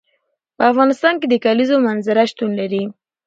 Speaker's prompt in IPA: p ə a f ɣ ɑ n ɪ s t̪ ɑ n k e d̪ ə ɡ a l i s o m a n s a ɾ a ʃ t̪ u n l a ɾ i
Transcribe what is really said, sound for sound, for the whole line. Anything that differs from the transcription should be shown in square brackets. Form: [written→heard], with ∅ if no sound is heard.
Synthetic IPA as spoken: p ə a f ɣ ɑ n ɪ s t̪ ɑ n k e d̪ ə [ɡ→k] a l i [s→z] o m a n [s→z] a ɾ a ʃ t̪ u n l a ɾ i